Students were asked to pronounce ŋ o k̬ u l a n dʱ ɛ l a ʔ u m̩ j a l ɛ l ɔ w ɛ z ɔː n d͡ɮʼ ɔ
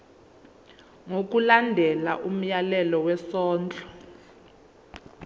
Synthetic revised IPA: ŋ o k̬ u l a n dʱ ɛ l a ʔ u m̩ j a l ɛ l ɔ w ɛ s ɔː n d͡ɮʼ ɔ